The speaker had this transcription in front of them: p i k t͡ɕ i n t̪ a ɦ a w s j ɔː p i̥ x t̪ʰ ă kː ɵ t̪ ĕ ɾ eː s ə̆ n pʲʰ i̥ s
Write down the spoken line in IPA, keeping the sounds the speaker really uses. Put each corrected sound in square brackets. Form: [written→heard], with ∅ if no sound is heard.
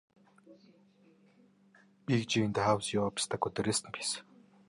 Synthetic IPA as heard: p i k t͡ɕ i n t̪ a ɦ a w s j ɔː p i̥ [x→s] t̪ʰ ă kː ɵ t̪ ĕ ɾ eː s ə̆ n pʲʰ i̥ s